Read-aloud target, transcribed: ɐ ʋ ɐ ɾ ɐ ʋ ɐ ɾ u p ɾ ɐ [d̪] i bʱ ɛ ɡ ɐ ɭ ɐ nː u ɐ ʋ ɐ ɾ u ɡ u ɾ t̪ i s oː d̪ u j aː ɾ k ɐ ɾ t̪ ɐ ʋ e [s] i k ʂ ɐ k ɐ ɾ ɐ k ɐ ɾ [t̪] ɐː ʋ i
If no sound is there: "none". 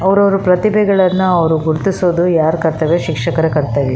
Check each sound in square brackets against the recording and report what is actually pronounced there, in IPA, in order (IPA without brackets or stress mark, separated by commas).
t̪, ʃ, t̪